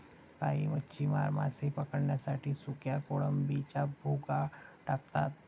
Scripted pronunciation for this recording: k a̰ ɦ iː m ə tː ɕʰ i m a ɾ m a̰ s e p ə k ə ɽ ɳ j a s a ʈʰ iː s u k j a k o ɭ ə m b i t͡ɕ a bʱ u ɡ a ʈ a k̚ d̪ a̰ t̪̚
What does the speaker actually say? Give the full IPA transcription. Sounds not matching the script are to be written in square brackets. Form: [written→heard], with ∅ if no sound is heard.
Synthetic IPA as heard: k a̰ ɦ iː m ə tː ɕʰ i m a ɾ m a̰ s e p ə k ə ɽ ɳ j a s a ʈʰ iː s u k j a k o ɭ ə m b i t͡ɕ a bʱ u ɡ a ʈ a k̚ [d̪→t̪] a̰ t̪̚